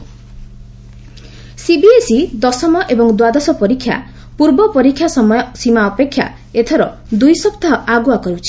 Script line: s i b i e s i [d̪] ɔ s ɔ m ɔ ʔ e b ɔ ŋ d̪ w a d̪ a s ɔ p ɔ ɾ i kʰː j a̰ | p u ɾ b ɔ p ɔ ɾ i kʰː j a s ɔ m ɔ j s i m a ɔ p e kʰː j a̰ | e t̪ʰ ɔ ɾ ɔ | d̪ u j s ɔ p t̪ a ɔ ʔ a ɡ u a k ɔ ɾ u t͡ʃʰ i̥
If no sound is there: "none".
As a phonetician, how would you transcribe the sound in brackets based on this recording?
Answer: d̪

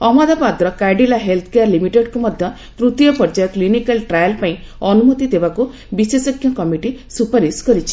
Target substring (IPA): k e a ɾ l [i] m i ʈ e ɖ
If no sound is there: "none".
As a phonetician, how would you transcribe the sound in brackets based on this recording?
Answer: i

